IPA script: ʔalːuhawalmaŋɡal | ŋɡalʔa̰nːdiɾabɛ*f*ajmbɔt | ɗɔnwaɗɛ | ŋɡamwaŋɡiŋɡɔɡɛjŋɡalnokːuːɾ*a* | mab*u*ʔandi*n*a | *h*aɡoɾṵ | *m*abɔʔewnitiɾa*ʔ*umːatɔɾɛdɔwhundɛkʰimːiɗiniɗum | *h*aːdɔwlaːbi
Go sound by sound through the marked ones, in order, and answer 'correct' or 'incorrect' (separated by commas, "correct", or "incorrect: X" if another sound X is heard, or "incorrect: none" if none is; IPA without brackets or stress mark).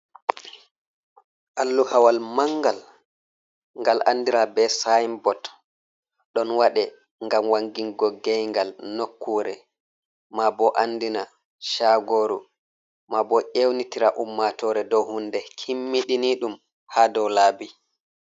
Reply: incorrect: s, incorrect: ɛ, incorrect: ɔ, correct, incorrect: ʃ, correct, correct, correct